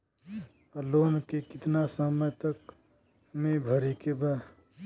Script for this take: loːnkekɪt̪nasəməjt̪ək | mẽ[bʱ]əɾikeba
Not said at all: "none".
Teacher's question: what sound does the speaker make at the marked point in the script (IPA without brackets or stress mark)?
bʱ